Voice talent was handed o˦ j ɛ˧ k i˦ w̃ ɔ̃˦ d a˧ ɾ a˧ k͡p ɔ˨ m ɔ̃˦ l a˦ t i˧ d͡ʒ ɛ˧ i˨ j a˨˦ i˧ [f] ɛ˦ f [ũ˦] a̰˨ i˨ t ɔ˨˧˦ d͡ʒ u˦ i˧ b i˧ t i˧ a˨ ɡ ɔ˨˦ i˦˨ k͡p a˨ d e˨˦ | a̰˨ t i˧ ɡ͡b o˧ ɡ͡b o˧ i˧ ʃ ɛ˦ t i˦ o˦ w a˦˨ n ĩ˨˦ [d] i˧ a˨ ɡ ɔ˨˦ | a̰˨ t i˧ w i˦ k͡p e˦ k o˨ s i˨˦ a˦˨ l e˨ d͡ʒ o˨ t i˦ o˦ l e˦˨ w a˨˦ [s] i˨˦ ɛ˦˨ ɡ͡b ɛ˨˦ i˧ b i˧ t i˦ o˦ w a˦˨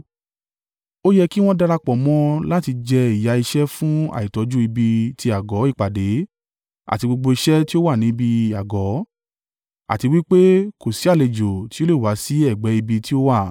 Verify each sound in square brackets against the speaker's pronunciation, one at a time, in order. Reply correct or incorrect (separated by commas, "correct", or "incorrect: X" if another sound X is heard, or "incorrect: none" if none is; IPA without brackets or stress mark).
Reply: incorrect: ʃ, correct, incorrect: b, correct